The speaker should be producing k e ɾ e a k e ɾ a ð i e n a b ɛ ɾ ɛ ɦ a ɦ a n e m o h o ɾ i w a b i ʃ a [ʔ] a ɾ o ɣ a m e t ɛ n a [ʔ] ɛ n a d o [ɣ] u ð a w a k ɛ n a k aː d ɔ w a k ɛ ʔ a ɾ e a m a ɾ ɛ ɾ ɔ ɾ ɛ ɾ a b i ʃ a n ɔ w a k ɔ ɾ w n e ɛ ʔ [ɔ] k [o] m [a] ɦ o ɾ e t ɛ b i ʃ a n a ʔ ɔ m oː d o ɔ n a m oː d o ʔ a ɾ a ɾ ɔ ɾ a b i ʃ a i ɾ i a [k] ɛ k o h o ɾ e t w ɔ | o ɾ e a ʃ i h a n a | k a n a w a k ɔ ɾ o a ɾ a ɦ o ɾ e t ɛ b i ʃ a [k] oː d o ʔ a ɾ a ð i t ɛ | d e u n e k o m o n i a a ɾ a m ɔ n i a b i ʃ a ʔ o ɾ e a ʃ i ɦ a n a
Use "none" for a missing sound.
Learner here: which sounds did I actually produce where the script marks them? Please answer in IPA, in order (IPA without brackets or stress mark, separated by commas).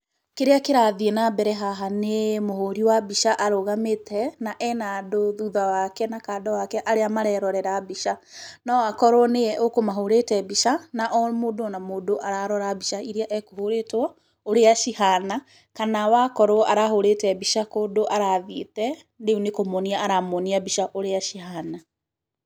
ʔ, ʔ, ð, o, o, a, ʔ, k